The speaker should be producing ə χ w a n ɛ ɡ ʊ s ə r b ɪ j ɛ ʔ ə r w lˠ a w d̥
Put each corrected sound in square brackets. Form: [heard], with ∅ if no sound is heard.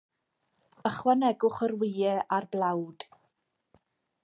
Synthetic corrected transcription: ə χ w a n ɛ ɡ ʊ [χ] ə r [w] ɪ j ɛ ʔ [a] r [b] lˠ a w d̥